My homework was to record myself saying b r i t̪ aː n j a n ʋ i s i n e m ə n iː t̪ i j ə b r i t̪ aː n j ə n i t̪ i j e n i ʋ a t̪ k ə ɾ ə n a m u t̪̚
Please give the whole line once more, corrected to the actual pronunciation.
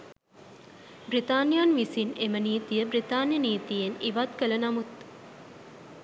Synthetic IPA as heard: b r i t̪ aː n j a n ʋ i s i n e m ə n iː t̪ i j ə b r i t̪ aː n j ə n iː t̪ i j e n i ʋ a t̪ k ə l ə n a m u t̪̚